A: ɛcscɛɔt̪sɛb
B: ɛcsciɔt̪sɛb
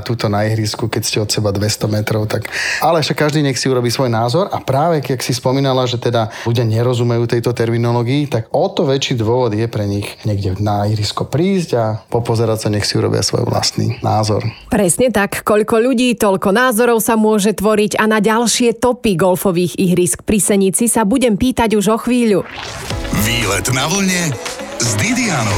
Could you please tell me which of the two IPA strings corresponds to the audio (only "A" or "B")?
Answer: A